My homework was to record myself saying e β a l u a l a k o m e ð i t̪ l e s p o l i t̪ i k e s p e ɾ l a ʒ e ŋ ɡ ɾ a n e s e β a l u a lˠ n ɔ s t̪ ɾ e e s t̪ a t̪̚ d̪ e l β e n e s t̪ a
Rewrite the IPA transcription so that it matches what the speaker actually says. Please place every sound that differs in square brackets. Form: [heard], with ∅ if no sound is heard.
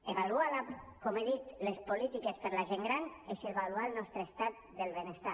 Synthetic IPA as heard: e β a l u a l a k o m e ð i t̪ l e s p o l i t̪ i k e s p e ɾ l a ʒ e ŋ ɡ ɾ a n e s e β a l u a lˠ n ɔ s t̪ ɾ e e s t̪ a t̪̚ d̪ e l β e n e s t̪ a